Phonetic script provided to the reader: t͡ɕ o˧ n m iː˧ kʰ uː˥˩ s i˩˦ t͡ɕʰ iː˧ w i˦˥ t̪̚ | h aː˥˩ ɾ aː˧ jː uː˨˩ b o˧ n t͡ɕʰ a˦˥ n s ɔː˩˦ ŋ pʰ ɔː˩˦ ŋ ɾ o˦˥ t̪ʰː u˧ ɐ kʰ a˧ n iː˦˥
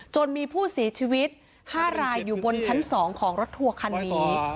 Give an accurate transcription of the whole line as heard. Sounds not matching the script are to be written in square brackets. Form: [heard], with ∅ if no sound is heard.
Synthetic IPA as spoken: t͡ɕ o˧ n m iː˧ [pʰ] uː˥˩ s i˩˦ t͡ɕʰ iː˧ w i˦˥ t̪̚ | h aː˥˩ ɾ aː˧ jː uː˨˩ b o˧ n t͡ɕʰ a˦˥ n s ɔː˩˦ ŋ [kʰ] ɔː˩˦ ŋ ɾ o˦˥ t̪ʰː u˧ ɐ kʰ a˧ [nː] iː˦˥